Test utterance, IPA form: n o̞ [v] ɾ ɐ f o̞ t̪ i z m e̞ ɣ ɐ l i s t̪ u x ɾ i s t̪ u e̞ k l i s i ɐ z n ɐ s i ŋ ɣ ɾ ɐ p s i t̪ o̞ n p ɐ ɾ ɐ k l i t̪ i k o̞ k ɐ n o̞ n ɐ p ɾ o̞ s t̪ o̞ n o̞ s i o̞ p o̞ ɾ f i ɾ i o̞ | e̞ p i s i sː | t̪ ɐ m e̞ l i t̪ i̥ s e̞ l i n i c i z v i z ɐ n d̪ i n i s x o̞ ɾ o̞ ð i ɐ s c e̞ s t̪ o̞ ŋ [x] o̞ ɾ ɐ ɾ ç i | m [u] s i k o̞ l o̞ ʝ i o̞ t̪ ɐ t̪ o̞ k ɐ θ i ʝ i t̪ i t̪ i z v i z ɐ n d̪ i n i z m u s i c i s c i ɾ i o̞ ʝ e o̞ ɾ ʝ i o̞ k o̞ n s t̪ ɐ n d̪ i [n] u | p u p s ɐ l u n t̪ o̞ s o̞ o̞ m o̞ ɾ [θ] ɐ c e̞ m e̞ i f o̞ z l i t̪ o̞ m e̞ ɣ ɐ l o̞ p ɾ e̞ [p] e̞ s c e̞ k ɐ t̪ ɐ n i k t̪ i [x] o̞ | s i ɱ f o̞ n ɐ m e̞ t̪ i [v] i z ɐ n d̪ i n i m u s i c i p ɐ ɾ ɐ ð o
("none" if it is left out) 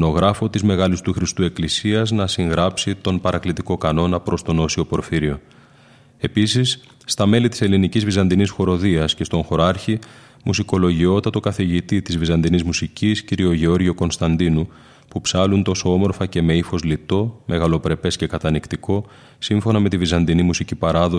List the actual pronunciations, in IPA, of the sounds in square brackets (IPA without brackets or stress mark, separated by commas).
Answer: ɣ, x, u, n, f, p, k, v